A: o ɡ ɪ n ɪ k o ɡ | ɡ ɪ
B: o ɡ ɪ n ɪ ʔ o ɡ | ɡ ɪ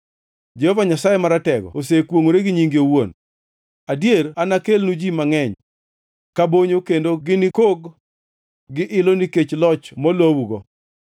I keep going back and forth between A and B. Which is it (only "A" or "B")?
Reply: A